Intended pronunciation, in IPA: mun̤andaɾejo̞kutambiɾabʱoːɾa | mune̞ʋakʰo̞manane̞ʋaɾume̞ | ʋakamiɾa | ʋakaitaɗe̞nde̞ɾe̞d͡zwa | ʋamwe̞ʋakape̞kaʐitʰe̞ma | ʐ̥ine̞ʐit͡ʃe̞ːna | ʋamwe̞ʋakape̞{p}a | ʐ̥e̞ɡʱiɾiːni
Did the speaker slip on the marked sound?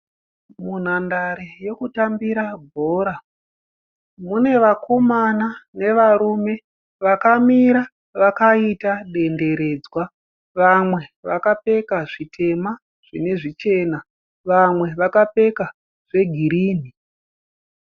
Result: yes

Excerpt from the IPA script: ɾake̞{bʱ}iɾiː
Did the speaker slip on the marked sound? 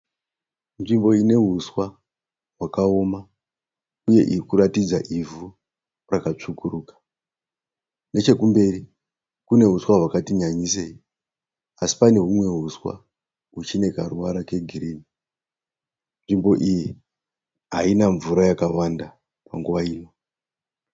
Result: yes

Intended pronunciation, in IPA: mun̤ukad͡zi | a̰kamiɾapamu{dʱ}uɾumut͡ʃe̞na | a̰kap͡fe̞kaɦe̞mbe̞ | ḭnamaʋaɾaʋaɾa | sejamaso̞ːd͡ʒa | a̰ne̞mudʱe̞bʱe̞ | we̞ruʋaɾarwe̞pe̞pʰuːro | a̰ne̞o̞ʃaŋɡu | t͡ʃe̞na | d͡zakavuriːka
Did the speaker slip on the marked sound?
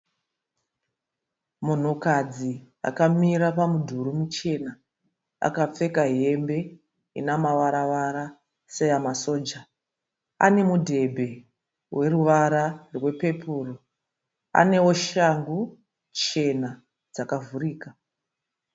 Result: no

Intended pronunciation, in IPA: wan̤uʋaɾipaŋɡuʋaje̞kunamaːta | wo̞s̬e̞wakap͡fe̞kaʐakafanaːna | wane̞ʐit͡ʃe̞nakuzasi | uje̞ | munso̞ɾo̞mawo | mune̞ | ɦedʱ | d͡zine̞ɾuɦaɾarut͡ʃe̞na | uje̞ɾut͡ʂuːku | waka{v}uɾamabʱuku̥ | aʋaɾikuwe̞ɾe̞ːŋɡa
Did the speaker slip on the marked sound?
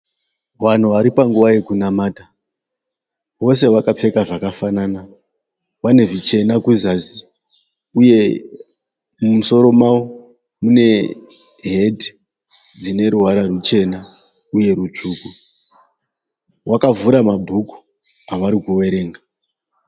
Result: no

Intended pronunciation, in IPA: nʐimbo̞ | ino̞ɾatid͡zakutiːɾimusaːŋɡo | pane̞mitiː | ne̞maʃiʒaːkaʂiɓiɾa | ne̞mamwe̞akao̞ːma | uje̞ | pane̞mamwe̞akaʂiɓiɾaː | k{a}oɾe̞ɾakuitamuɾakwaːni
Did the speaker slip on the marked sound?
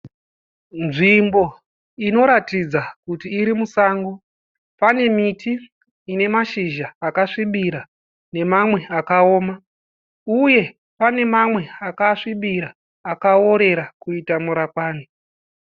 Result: no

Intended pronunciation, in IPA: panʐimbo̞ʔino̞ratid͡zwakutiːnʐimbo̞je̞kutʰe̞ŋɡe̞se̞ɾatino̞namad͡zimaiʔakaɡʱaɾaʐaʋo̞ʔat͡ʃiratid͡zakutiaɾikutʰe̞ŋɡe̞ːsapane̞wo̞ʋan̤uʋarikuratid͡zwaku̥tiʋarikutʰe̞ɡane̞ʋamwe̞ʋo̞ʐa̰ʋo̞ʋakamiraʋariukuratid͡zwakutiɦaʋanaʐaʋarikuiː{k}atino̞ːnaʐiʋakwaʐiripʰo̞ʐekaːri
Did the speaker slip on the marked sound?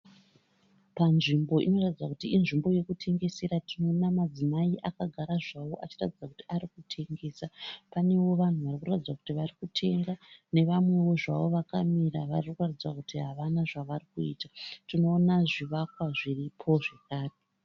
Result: yes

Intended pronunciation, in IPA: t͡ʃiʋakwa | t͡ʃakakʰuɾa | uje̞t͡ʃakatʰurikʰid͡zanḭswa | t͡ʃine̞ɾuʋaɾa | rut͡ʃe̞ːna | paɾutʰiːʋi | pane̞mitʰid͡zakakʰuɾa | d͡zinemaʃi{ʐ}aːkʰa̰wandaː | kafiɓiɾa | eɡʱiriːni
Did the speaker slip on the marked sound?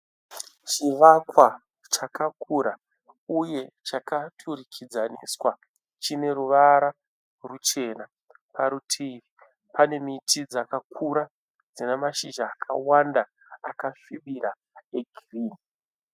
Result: yes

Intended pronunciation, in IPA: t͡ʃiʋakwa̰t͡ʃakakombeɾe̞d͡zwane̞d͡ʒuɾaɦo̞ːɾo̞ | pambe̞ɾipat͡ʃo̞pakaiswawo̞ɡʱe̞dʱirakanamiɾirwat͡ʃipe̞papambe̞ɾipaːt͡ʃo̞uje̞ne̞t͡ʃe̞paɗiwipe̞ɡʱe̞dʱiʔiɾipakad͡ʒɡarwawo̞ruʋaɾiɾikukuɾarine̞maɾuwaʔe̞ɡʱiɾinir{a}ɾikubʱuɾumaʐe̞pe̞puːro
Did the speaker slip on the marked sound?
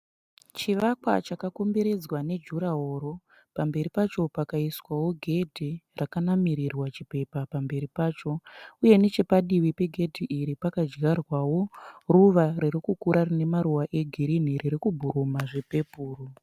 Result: yes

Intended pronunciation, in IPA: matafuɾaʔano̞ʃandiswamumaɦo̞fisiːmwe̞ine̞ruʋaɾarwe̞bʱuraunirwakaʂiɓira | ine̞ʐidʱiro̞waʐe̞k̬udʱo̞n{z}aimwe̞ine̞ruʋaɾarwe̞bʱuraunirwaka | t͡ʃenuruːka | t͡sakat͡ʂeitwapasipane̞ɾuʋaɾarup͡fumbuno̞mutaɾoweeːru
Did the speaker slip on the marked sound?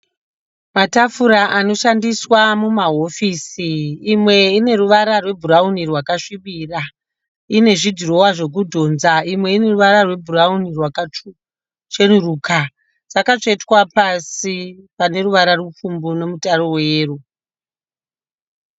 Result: no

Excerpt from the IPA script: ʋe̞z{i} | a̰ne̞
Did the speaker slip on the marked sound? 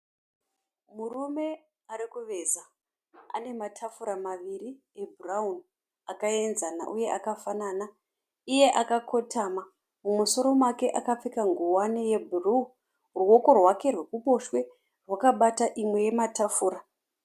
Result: yes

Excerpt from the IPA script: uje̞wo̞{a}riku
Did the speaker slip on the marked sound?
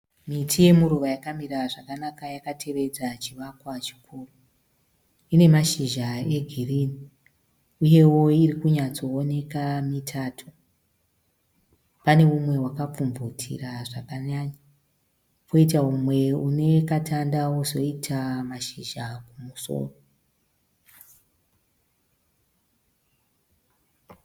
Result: yes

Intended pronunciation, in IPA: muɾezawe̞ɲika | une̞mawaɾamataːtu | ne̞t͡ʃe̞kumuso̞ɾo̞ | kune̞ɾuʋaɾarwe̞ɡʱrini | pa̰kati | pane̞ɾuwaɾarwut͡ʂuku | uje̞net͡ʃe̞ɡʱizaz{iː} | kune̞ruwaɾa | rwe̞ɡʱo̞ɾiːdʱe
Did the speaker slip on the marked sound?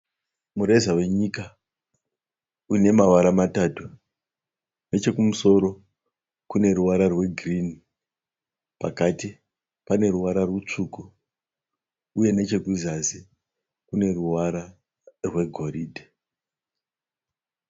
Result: yes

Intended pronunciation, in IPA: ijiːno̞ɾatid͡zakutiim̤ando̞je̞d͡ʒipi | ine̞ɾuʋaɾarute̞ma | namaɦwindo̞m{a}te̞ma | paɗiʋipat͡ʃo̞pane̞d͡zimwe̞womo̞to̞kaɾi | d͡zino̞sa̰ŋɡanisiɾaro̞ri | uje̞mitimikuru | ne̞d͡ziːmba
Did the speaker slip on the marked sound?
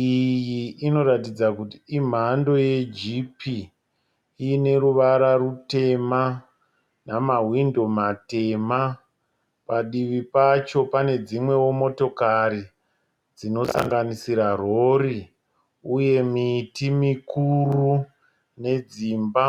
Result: no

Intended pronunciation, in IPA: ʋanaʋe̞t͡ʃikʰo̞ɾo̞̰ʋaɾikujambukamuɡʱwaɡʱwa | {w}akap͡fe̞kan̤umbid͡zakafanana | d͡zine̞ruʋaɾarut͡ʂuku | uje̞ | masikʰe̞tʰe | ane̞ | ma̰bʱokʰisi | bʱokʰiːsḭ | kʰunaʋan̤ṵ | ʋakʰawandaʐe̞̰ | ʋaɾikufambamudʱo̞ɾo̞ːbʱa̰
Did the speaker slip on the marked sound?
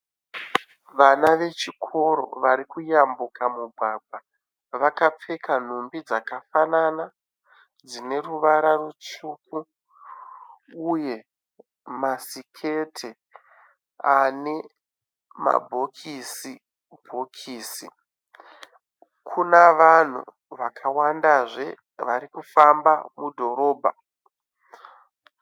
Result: yes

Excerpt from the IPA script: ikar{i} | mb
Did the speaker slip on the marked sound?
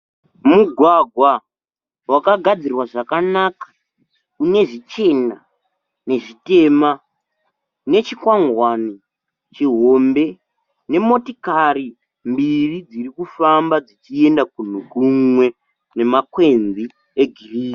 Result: no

